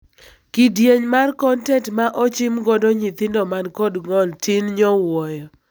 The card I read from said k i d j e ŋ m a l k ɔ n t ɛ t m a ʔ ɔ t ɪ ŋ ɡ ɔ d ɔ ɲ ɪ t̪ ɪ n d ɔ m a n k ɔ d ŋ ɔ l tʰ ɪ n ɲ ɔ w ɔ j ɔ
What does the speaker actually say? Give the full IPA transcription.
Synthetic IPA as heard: k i d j e ɲ m a r k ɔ n t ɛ t m a ʔ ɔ t͡ʃ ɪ m ɡ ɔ d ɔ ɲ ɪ t̪ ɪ n d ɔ m a n k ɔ d ŋ ɔ l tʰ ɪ n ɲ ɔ w ɔ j ɔ